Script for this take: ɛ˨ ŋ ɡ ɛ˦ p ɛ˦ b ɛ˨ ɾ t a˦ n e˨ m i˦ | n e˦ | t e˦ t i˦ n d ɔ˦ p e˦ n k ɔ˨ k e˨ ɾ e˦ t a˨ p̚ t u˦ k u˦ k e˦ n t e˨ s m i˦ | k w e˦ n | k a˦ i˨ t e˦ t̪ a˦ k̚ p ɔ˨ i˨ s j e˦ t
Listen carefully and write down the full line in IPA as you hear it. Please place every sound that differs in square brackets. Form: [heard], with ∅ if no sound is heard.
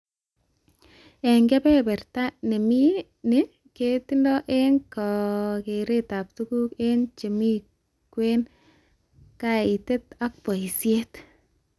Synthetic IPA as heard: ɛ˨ ŋ ɡ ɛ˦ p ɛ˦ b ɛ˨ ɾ t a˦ n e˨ m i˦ | n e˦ | [k] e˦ t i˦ n d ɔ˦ [ʔ] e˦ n k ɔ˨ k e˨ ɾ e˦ t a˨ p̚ t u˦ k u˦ k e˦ n [t͡ʃ] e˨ [∅] m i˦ | k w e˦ n | k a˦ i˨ t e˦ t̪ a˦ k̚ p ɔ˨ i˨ s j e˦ t

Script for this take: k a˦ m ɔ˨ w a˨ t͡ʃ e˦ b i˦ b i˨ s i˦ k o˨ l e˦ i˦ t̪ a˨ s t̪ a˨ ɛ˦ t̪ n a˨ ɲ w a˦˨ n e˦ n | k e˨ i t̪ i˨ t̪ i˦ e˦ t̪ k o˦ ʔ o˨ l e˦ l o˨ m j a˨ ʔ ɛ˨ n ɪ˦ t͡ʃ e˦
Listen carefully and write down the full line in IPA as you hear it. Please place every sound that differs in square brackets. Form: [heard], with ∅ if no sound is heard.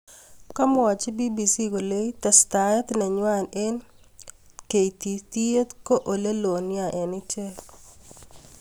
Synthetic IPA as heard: k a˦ m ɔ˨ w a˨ t͡ʃ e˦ b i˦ b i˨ s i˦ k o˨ l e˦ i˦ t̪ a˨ s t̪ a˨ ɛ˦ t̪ n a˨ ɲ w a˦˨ n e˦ n | k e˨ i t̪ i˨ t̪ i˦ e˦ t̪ k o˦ ʔ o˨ l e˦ l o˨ [n] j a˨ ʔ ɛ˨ n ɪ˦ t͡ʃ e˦

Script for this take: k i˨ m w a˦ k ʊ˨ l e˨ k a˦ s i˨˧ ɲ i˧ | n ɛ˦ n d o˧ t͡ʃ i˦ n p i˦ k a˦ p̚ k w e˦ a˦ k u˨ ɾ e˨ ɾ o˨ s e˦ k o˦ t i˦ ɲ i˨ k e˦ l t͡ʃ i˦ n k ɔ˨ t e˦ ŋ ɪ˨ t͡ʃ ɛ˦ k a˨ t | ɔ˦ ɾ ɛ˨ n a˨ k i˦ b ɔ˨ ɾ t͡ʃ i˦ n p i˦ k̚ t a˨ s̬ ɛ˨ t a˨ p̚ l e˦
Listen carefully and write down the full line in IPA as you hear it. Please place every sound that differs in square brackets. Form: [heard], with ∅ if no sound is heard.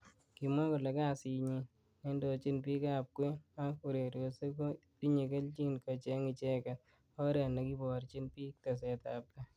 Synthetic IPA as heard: k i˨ m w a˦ k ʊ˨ l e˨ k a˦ s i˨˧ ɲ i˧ | n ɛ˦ n d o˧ t͡ʃ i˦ n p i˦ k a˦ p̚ k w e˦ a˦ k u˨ ɾ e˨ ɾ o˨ s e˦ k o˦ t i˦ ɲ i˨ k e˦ l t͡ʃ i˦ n k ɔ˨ [t͡ʃ] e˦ ŋ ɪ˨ t͡ʃ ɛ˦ k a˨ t | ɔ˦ ɾ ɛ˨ n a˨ k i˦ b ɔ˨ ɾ t͡ʃ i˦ n p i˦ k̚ t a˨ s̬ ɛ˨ t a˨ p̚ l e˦

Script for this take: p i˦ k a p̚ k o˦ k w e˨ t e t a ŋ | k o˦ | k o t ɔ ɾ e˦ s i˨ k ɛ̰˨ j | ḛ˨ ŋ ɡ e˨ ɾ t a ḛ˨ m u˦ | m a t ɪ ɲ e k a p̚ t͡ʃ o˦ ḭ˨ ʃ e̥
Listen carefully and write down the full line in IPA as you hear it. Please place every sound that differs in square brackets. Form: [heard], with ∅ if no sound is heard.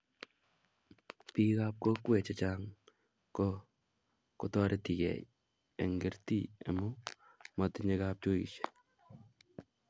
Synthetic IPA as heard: p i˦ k a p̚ k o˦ k w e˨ [t͡ʃ] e [t͡ʃ] a ŋ | k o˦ | k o t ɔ ɾ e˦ [t] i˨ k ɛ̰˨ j | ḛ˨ ŋ ɡ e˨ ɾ t [i] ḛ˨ m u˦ | m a t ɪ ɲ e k a p̚ t͡ʃ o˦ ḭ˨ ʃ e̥

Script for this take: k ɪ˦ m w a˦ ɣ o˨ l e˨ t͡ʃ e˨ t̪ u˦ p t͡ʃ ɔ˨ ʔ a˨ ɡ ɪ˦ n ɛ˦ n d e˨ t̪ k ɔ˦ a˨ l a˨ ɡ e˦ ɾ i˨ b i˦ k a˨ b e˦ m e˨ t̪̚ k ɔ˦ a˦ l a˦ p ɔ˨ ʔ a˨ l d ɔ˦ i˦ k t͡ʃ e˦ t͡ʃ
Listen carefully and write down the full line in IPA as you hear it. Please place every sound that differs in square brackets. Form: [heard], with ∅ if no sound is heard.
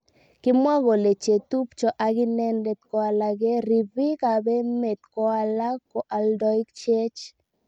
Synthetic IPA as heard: k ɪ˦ m w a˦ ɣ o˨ l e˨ t͡ʃ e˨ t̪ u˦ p t͡ʃ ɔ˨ ʔ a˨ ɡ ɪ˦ n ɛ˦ n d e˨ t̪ k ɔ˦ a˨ l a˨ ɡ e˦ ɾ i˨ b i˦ k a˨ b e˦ m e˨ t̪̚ k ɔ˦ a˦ l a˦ [k] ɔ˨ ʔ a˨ l d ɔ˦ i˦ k t͡ʃ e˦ t͡ʃ

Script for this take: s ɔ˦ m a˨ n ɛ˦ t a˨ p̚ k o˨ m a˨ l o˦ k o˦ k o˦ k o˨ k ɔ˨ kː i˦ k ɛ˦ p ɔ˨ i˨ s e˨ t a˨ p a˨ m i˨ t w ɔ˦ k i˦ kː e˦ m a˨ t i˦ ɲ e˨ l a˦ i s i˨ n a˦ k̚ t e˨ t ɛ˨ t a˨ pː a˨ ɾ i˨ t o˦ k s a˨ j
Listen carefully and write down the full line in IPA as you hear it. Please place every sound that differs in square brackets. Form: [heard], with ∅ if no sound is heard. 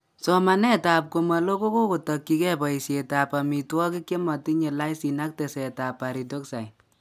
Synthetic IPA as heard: s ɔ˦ m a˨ n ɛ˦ t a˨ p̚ k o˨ m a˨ l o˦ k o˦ k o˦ k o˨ [t] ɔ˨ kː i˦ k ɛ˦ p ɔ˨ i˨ s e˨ t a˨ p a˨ m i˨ t w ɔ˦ k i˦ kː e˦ m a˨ t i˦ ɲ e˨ l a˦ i s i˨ n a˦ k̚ t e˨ [s] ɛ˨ t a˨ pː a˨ ɾ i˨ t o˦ k s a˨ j

